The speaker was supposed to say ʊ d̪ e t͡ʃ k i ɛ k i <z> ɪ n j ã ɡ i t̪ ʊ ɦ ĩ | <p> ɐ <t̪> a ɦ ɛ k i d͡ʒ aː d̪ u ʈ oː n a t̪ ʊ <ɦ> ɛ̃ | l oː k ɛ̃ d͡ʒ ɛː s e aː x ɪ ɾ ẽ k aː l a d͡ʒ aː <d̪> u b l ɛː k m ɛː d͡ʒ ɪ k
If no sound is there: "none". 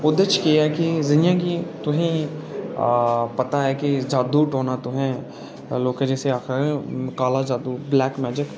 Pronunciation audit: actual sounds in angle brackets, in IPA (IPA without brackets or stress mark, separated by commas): z, p, t̪, ɦ, d̪